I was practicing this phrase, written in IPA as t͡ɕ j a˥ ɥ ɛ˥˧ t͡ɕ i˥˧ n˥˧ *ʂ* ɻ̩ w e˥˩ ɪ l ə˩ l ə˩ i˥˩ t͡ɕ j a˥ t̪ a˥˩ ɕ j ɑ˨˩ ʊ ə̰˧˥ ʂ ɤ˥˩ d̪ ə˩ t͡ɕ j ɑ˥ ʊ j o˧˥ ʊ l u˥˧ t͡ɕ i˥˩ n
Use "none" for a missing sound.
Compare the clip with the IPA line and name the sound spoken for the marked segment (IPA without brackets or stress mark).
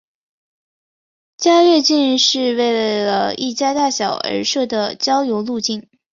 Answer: ʂ